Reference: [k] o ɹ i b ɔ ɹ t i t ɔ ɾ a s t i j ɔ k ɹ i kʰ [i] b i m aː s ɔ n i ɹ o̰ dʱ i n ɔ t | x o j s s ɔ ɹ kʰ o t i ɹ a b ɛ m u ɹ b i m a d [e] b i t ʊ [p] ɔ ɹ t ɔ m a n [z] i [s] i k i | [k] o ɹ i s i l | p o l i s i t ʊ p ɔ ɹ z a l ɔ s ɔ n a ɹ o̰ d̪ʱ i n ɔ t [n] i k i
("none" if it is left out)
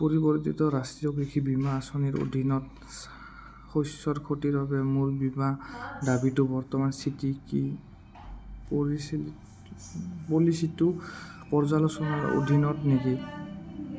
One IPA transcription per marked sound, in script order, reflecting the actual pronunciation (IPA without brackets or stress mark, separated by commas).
p, i, a, b, s, t, p, n